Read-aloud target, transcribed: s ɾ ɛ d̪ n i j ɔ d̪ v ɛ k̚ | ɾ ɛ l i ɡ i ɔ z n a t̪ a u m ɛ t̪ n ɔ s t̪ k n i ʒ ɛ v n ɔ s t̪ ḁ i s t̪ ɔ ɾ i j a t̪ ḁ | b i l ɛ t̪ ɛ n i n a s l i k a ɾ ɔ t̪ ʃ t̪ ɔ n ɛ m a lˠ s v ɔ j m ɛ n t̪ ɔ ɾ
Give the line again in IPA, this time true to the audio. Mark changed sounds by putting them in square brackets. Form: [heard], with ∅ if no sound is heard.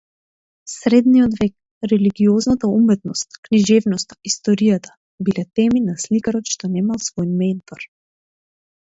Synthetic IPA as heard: s ɾ ɛ d̪ n i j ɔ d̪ v ɛ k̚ | ɾ ɛ l i ɡ i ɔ z n a t̪ a u m ɛ t̪ n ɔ s t̪ k n i ʒ ɛ v n ɔ s t̪ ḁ i s t̪ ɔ ɾ i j a t̪ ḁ | b i l ɛ t̪ ɛ [m] i n a s l i k a ɾ ɔ t̪ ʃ t̪ ɔ n ɛ m a lˠ s v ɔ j m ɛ n t̪ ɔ ɾ

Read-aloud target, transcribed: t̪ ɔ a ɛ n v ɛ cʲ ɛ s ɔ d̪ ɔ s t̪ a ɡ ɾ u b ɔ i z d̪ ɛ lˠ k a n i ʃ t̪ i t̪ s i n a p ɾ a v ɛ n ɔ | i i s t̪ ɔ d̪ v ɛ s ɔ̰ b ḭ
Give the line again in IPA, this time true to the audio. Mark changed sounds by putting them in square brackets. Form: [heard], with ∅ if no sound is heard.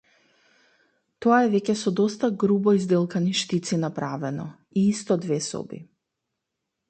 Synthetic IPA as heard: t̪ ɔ a ɛ [∅] v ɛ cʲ ɛ s ɔ d̪ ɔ s t̪ a ɡ ɾ u b ɔ i z d̪ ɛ lˠ k a n i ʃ t̪ i t̪ s i n a p ɾ a v ɛ n ɔ | i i s t̪ ɔ d̪ v ɛ s ɔ̰ b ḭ

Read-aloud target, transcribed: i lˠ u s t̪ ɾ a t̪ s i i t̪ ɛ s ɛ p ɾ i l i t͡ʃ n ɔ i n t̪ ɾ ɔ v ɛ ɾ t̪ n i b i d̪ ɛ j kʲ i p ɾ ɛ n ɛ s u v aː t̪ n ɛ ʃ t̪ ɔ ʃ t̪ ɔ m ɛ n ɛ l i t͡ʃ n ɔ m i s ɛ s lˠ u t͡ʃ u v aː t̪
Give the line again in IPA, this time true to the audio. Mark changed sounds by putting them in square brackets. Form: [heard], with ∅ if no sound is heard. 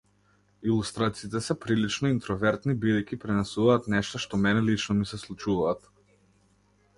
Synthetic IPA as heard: i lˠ u s t̪ ɾ a t̪ s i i t̪ ɛ s ɛ p ɾ i l i t͡ʃ n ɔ i n t̪ ɾ ɔ v ɛ ɾ t̪ n i b i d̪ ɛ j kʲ i p ɾ ɛ n ɛ s u v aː t̪ n ɛ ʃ t̪ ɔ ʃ t̪ ɔ m ɛ n ɛ l i t͡ʃ n ɔ m i s ɛ s lˠ u t͡ʃ u v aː t̪

